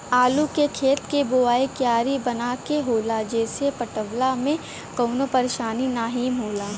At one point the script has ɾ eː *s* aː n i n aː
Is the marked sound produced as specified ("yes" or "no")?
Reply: no